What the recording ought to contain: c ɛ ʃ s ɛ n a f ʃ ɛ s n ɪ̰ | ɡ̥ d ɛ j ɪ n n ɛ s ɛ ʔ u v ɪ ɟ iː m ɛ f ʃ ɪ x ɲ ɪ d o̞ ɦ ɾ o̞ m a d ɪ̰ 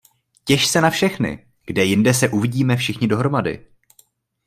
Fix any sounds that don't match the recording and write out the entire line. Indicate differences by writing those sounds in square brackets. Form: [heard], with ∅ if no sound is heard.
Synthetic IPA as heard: c ɛ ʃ s ɛ n a f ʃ ɛ [x] n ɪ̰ | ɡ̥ d ɛ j ɪ n [d] ɛ s ɛ ʔ u v ɪ ɟ iː m ɛ f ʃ ɪ x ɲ ɪ d o̞ ɦ ɾ o̞ m a d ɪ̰

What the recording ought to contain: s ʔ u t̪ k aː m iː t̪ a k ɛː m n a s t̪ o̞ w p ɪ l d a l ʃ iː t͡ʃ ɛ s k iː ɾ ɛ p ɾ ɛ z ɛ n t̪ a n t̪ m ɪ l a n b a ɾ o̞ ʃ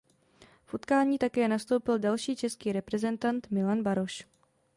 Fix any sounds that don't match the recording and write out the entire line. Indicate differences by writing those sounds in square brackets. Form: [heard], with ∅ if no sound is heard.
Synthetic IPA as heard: [f] ʔ u t̪ k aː [ɲ] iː t̪ a k ɛː [∅] n a s t̪ o̞ w p ɪ l d a l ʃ iː t͡ʃ ɛ s k iː ɾ ɛ p ɾ ɛ z ɛ n t̪ a n t̪ m ɪ l a n b a ɾ o̞ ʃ

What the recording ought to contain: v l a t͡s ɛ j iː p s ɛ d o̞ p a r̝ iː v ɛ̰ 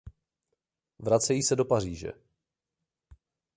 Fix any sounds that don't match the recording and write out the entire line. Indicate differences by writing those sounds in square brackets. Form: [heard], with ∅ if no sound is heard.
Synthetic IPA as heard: v [ɾ] a t͡s ɛ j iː [∅] s ɛ d o̞ p a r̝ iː [ʒ] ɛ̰

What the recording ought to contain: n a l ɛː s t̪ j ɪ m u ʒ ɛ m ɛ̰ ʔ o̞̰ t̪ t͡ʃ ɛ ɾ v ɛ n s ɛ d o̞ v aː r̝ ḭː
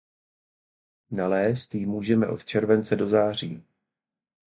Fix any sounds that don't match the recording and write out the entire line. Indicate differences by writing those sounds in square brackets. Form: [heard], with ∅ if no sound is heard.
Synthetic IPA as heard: n a l ɛː s t̪ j ɪ m [uː] ʒ ɛ m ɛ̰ ʔ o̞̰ t̪ t͡ʃ ɛ ɾ v ɛ n [t͡s] ɛ d o̞ [z] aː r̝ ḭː

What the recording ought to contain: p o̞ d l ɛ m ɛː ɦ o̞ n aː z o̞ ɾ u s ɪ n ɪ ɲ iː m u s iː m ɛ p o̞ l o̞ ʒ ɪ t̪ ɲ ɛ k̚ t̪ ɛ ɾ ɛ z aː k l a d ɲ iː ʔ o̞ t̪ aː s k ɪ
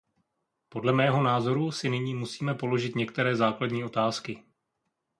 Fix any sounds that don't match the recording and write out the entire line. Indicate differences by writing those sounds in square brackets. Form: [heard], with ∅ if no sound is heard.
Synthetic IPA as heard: p o̞ d l ɛ m ɛː ɦ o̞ n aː z o̞ ɾ u s ɪ n ɪ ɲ iː m u s iː m ɛ p o̞ l o̞ ʒ ɪ t̪ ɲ ɛ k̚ t̪ ɛ ɾ [ɛː] z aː k l a d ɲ iː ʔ o̞ t̪ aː s k ɪ

